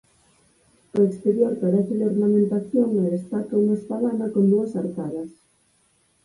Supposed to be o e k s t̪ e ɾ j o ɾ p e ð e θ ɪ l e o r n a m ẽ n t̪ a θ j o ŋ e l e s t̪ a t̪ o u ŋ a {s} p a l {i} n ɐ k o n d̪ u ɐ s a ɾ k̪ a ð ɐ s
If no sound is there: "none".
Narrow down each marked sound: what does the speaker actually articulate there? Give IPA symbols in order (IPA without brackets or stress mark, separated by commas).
s, a